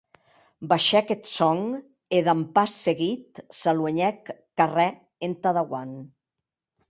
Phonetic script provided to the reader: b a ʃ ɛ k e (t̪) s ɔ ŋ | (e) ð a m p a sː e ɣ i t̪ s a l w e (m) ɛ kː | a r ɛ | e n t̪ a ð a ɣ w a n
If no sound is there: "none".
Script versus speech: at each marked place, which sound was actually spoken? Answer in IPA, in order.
t̪, e, ɲ

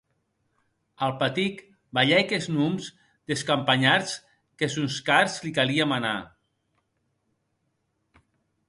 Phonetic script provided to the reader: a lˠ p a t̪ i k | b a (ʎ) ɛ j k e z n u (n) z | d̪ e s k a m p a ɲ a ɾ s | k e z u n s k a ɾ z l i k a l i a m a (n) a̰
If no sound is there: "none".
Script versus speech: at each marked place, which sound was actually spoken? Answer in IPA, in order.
ʎ, m, n

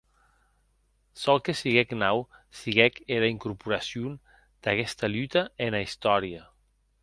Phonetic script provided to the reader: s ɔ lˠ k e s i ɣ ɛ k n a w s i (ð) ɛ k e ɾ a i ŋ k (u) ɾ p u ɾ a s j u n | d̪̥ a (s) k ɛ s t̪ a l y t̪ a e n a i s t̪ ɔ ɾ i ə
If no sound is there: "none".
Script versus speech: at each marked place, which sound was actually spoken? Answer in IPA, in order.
ɣ, u, none

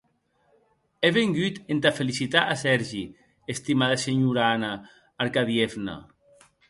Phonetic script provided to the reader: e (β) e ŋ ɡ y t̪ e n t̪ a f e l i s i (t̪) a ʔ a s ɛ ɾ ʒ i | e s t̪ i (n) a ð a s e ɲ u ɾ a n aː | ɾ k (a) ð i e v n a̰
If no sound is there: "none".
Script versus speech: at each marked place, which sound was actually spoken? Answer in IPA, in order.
β, t̪, m, a

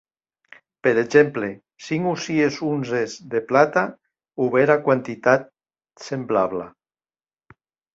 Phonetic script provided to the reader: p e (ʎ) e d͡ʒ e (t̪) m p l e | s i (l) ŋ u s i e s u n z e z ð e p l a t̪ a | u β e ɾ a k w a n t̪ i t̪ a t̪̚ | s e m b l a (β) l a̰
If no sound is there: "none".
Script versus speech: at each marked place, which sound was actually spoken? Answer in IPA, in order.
ɾ, none, none, β

